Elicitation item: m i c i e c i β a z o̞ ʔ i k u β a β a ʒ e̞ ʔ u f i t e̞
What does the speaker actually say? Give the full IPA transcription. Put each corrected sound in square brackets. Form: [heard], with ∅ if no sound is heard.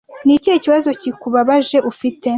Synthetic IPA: [n] i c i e c i β a z o̞ [c] i k u β a β a ʒ e̞ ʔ u f i t e̞